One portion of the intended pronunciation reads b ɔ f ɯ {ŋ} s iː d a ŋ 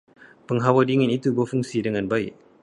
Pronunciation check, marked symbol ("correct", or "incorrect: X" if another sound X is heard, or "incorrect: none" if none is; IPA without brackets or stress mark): correct